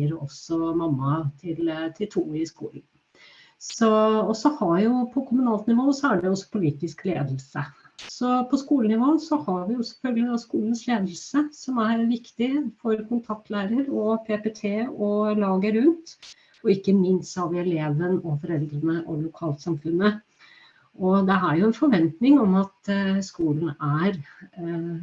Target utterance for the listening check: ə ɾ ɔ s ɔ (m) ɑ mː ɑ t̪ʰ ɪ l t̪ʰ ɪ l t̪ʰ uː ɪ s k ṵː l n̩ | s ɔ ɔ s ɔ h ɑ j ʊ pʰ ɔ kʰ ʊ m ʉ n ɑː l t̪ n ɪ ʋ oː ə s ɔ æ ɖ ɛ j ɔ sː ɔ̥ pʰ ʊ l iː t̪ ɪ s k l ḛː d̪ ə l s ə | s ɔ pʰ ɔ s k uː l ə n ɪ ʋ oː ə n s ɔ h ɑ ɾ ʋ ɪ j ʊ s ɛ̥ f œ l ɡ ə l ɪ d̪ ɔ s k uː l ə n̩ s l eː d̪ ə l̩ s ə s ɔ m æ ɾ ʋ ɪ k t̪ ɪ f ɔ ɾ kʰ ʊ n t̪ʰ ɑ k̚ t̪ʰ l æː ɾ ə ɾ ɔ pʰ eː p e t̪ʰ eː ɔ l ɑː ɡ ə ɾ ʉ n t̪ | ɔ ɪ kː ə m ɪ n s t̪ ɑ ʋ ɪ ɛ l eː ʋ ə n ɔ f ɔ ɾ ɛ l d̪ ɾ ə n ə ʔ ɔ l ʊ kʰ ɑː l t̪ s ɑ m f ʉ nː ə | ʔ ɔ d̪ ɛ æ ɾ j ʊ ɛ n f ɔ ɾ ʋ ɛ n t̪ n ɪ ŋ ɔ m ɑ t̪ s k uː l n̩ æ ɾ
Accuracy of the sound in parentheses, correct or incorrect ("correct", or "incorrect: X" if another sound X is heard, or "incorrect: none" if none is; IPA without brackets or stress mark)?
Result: correct